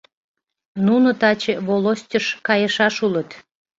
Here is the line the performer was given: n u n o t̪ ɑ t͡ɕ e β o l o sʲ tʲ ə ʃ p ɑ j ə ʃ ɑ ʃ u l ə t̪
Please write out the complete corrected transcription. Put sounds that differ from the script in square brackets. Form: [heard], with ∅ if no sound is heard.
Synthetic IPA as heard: n u n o t̪ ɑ t͡ɕ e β o l o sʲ tʲ ə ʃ [k] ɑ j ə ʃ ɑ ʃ u l ə t̪